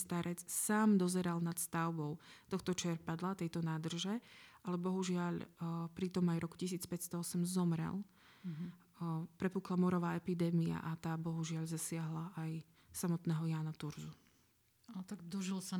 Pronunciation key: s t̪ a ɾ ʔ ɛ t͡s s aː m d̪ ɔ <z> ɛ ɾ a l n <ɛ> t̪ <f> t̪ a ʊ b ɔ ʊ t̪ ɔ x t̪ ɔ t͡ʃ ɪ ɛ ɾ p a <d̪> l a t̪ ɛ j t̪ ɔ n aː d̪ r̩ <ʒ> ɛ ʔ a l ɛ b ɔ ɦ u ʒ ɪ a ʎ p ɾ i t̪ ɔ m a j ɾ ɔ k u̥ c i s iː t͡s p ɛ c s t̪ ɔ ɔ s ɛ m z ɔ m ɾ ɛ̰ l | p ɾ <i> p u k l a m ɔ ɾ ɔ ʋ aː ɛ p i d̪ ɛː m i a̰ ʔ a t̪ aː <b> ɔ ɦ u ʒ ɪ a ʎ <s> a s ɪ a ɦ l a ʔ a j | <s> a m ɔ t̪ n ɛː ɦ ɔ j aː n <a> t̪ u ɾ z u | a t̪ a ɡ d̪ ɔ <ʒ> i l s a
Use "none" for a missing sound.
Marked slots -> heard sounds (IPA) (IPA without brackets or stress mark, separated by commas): z, a, s, d̪, ʒ, ɛ, b, z, s, a, ʒ